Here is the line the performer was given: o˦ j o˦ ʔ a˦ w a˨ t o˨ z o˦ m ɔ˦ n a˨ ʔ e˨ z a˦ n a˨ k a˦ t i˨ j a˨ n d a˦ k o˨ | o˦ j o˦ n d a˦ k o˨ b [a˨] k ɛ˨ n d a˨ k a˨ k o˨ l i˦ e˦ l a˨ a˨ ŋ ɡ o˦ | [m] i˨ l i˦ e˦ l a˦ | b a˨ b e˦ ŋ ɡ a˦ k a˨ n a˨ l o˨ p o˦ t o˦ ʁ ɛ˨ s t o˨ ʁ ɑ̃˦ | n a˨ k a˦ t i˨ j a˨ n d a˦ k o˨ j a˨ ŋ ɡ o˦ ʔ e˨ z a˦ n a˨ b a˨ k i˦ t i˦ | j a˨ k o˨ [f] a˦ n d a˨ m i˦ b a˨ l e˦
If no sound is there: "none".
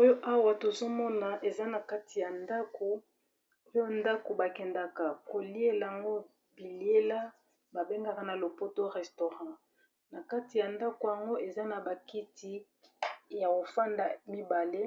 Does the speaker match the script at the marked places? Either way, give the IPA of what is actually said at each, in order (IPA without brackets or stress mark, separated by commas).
a˨, b, f